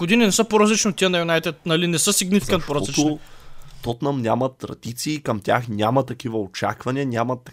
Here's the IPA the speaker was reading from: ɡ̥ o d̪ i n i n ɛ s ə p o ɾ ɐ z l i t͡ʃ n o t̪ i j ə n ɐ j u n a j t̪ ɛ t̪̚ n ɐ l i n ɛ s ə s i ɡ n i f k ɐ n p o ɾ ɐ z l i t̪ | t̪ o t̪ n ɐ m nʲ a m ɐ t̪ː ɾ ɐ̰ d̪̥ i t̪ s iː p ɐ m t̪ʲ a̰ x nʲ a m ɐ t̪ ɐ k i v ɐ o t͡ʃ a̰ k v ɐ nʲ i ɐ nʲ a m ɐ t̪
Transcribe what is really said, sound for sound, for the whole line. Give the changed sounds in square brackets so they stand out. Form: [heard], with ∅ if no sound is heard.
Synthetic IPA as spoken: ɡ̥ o d̪ i n i n ɛ s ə p o ɾ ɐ z l i t͡ʃ n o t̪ i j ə n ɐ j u n a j t̪ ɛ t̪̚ n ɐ l i n ɛ s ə s i ɡ n i f k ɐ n p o ɾ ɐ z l i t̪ | t̪ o t̪ n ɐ m nʲ a m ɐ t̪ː ɾ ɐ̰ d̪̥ i t̪ s iː [k] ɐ m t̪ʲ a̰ x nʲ a m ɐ t̪ ɐ k i v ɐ o t͡ʃ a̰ k v ɐ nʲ i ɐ nʲ a m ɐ t̪